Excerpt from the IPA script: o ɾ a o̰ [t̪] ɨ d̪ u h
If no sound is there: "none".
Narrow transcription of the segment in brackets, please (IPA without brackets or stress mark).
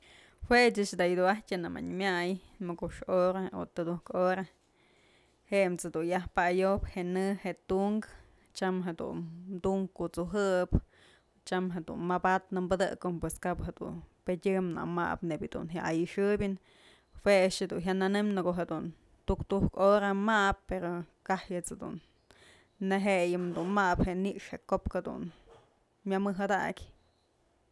t̪